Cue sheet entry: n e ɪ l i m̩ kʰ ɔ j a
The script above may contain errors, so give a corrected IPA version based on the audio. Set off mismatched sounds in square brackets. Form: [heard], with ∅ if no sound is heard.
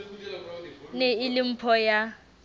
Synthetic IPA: n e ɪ l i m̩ [pʰ] ɔ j a